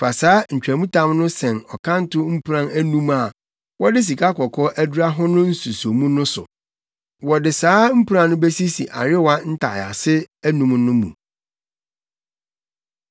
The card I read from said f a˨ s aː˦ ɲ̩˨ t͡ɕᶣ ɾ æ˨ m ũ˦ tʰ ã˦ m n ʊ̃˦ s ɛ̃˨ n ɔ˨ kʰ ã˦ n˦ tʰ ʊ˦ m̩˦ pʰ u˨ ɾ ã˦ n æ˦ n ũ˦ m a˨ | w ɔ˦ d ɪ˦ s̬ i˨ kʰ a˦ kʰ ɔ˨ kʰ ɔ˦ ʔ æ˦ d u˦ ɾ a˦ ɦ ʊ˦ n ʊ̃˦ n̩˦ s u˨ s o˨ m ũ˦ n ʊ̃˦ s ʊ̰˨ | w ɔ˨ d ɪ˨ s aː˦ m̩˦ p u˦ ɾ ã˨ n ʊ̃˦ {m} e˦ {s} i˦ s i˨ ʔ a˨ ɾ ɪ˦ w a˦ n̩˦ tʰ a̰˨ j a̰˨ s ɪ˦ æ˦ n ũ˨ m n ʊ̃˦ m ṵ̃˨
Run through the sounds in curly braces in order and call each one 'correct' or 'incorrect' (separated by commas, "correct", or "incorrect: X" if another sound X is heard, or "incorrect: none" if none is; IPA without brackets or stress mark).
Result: incorrect: b, correct